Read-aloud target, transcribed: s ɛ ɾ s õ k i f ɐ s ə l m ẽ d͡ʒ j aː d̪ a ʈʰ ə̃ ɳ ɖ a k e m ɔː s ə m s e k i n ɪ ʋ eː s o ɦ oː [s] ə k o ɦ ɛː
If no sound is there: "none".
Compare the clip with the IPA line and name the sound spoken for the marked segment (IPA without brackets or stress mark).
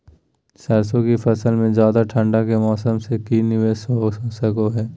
s